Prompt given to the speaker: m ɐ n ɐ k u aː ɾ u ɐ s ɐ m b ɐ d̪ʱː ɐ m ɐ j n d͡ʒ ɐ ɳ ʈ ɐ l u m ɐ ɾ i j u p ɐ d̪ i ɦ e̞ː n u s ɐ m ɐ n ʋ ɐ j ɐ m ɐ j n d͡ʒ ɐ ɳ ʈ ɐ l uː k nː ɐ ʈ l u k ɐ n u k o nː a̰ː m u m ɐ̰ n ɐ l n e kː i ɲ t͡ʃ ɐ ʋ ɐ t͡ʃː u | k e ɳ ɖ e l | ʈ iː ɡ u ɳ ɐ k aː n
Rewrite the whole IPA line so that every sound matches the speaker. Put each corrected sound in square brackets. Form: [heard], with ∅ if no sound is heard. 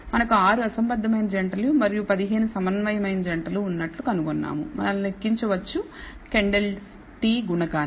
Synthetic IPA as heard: m ɐ n ɐ k u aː ɾ u ɐ s ɐ m b ɐ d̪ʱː ɐ m ɐ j n d͡ʒ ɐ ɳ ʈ ɐ l u m ɐ ɾ i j u p ɐ d̪ i ɦ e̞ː n u s ɐ m ɐ n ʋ ɐ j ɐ m ɐ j n d͡ʒ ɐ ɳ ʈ ɐ l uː [∅] nː ɐ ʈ l u k ɐ n u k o nː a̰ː m u m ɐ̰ n ɐ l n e kː i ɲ t͡ʃ ɐ ʋ ɐ t͡ʃː u | k e ɳ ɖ e l | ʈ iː ɡ u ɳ ɐ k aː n